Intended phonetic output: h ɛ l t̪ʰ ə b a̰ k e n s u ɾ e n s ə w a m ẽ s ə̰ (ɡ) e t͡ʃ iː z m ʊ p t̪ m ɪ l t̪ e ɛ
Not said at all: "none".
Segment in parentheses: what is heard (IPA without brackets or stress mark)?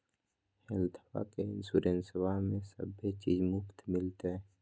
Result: b